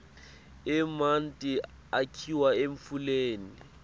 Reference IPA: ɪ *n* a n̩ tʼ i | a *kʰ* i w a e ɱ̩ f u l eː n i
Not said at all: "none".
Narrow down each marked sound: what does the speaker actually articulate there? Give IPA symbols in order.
m, kʰ

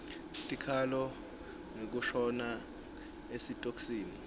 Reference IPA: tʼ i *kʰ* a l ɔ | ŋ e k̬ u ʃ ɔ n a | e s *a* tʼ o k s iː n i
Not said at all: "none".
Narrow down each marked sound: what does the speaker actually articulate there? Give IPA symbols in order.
kʰ, i

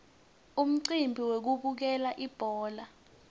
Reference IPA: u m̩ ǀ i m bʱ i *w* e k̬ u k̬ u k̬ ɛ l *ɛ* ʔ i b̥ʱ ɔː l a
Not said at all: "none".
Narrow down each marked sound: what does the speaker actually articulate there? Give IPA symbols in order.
w, a

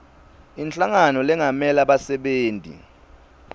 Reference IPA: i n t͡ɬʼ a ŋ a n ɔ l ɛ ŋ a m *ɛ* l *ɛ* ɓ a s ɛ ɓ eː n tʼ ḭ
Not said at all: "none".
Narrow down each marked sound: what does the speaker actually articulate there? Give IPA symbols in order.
ɛ, a

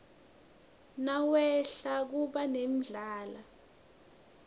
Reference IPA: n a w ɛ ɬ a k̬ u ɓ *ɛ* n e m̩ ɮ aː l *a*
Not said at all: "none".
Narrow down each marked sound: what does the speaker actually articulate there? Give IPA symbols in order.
a, a

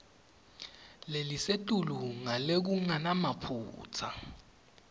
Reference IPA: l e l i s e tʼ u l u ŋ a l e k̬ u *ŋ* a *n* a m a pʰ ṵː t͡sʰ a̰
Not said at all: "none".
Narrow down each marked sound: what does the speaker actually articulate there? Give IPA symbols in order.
ŋ, n

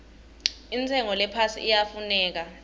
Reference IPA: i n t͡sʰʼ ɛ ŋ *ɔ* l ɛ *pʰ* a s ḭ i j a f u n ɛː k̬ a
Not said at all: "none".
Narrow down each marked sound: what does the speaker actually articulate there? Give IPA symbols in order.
ɔ, pʰ

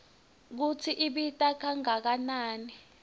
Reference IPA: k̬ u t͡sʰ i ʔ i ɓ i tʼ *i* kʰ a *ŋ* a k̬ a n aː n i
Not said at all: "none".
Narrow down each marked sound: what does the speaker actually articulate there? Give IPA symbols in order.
a, ŋ

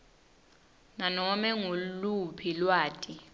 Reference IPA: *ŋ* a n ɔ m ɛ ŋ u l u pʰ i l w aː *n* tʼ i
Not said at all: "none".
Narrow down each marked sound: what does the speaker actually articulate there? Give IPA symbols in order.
n, none

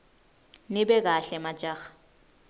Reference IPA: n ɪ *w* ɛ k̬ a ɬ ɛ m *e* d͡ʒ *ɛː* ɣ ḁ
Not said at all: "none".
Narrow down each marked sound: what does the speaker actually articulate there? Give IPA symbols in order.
b, a, aː

